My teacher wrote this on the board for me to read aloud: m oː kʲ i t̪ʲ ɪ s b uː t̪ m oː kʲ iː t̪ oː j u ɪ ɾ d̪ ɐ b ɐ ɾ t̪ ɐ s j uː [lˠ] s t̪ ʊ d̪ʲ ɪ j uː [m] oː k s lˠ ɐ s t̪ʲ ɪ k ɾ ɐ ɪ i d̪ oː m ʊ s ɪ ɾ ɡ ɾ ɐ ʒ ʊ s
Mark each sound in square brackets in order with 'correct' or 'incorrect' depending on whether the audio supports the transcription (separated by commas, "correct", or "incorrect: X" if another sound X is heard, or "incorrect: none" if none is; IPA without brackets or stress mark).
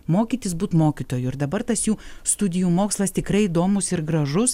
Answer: incorrect: none, correct